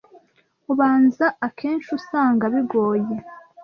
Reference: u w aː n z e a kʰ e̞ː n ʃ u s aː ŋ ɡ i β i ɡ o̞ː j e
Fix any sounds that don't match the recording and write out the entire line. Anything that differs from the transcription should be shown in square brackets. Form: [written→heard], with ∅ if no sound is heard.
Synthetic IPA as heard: u [w→β] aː n z [e→a] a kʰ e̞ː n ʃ u s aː ŋ ɡ [i→a] β i ɡ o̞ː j e